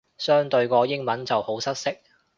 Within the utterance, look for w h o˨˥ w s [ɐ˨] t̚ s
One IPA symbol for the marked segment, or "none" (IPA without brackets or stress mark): ɐ˥